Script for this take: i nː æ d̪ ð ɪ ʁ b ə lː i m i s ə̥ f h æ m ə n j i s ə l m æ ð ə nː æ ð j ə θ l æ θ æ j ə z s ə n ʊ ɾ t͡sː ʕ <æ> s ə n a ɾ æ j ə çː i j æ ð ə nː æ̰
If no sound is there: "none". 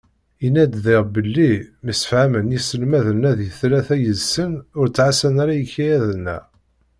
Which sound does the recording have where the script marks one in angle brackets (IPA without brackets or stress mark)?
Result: a